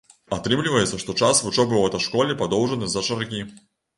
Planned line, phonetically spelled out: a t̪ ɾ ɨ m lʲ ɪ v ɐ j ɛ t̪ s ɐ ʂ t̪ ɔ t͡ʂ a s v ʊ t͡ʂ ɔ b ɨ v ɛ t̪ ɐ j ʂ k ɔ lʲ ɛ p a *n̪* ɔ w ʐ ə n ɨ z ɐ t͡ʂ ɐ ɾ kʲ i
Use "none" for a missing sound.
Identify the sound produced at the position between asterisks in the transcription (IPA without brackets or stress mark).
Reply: d̪